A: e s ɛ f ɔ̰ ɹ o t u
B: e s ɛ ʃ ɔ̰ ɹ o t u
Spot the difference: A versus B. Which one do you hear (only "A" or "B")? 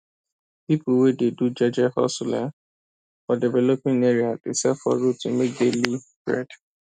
A